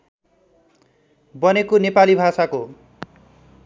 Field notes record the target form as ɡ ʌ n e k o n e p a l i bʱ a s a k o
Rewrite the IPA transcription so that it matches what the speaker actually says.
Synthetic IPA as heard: b ʌ n e k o n e p a l i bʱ a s a k o